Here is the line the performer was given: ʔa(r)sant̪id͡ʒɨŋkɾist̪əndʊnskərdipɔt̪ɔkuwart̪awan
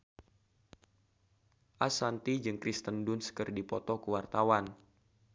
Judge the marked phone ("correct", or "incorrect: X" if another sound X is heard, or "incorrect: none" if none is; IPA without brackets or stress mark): incorrect: none